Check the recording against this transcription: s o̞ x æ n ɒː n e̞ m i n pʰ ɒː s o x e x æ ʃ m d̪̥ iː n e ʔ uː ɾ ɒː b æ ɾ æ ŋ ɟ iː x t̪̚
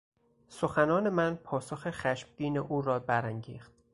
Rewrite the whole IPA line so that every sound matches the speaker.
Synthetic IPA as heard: s o̞ x æ n ɒː n e̞ m æ n pʰ ɒː s o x e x æ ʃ m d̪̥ iː n e ʔ uː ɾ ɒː b æ ɾ æ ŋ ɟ iː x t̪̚